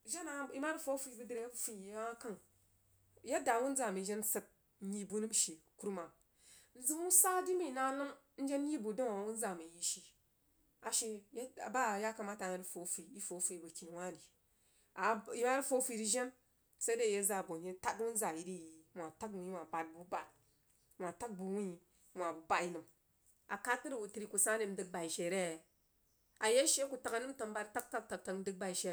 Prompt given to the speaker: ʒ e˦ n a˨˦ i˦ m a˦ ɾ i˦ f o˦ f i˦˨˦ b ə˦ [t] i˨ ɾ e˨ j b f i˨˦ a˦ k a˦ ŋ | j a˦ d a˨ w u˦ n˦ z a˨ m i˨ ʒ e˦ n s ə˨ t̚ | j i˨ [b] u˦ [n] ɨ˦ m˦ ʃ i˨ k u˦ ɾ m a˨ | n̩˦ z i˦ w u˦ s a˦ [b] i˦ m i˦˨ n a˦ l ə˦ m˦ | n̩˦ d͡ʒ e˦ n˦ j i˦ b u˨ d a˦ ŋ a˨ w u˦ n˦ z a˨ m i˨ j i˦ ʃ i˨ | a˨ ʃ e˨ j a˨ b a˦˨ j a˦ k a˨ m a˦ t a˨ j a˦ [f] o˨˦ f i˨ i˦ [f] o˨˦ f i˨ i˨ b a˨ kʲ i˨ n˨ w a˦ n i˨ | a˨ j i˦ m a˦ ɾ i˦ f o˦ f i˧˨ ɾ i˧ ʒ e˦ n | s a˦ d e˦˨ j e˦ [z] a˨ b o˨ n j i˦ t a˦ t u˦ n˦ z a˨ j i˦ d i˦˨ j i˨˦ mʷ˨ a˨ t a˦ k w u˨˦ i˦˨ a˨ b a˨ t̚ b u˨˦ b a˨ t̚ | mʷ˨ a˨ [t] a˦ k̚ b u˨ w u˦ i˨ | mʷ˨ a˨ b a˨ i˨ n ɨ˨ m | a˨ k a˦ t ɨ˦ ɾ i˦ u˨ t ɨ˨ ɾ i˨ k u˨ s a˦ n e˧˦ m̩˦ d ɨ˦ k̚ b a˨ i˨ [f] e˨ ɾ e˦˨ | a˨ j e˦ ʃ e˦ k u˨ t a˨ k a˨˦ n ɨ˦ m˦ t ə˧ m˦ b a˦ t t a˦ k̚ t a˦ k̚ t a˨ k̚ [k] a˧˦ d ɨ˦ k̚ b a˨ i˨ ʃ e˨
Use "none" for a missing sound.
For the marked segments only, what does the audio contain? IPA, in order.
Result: d, b, n, d, f, f, z, t, ʃ, t

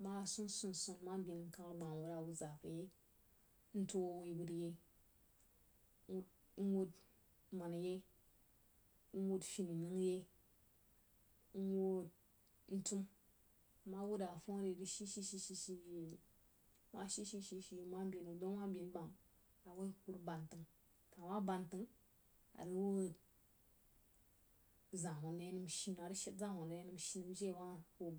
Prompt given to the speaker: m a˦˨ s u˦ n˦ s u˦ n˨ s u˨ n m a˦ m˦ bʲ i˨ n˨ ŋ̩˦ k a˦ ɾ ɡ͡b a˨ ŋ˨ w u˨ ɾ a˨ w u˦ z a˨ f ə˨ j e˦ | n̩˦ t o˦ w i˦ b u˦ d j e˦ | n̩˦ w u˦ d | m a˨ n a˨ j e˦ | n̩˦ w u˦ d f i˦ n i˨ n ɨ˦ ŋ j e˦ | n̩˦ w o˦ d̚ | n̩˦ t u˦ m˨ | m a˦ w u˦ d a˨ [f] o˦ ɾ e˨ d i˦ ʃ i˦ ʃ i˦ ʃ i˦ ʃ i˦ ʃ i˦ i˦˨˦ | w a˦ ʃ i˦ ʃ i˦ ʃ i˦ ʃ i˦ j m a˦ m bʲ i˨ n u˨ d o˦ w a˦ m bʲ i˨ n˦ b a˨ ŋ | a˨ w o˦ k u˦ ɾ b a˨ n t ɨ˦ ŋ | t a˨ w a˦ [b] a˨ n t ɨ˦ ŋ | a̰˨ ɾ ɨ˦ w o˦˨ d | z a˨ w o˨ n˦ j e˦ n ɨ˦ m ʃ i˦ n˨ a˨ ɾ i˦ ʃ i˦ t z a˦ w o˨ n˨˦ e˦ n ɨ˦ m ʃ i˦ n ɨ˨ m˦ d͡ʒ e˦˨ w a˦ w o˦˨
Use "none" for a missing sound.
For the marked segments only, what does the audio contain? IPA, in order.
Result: f, b

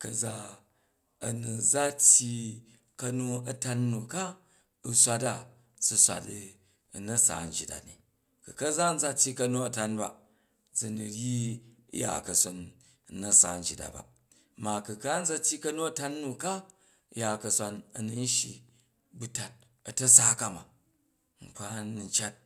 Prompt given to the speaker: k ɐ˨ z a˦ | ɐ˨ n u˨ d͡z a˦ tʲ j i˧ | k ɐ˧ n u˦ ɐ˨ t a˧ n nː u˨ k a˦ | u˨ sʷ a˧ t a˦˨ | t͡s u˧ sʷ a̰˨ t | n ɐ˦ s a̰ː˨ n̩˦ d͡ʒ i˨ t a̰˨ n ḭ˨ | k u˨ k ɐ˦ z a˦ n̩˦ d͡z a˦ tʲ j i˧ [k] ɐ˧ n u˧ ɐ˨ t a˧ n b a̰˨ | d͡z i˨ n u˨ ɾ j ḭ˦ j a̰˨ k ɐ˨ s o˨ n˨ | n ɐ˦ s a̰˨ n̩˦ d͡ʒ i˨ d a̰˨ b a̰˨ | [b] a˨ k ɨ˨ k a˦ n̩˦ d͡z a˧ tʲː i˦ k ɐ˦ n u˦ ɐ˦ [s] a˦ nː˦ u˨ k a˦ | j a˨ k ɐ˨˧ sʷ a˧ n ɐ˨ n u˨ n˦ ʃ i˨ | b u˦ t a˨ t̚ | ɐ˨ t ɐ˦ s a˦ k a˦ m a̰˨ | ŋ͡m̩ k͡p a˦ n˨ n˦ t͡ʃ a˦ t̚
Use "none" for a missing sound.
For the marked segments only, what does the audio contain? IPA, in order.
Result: k, m, t

